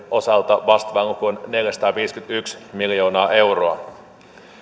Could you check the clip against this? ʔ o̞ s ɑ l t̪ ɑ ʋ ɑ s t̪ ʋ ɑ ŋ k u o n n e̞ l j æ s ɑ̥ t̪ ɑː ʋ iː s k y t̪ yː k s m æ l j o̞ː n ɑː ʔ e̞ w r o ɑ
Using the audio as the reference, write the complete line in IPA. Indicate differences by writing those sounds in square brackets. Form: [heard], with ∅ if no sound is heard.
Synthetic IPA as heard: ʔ o̞ s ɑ l t̪ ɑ ʋ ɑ s t̪ ʋ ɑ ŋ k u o n n e̞ l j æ s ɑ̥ t̪ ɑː ʋ iː s k y t̪ [y] k s m [i] l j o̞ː n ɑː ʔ e̞ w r o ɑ

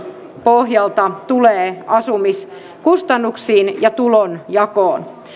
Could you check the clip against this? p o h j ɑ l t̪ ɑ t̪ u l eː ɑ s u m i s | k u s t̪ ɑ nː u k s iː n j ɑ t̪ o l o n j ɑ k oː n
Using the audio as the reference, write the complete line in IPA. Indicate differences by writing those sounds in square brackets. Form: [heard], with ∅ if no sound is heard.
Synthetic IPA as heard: p o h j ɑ l t̪ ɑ t̪ u l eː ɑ s u m i s | k u s t̪ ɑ nː u k s iː n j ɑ t̪ [u] l o n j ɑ k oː n

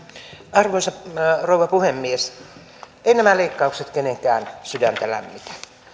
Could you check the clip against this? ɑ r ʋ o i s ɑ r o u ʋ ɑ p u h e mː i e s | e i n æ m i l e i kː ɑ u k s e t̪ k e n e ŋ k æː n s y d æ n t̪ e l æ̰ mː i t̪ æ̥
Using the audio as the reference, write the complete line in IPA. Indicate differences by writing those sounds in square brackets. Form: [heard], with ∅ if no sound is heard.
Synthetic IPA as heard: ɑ r ʋ o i s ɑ r o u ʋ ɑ p u h e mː i e s | e i n æ m [æ] l e i kː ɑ u k s e t̪ k e n e ŋ k æː n s y d æ n t̪ [æ] l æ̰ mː i t̪ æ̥

